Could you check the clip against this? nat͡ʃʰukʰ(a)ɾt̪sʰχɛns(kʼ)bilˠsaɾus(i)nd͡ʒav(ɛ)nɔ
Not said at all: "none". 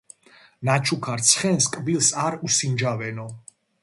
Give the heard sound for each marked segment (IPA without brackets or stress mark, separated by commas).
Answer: a, kʼ, i, ɛ